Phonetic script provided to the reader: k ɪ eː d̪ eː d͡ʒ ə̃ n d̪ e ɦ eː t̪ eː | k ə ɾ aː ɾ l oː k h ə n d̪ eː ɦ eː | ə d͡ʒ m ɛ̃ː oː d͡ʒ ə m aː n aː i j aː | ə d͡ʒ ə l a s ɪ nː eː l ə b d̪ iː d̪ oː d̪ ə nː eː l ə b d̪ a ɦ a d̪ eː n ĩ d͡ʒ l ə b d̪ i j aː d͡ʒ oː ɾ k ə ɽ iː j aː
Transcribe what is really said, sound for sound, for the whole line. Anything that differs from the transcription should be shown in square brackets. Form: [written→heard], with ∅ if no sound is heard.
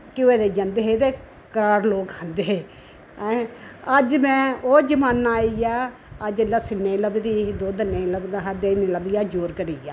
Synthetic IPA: k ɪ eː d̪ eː d͡ʒ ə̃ n d̪ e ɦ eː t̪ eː | k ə ɾ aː ɾ l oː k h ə n d̪ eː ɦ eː | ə d͡ʒ m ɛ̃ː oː d͡ʒ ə m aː n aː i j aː | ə d͡ʒ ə l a s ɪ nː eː l ə b d̪ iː d̪ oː d̪ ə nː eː l ə b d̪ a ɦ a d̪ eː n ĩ [d͡ʒ→∅] l ə b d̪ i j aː d͡ʒ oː ɾ k ə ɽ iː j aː